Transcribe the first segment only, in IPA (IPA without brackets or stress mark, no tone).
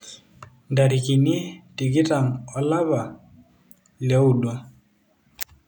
n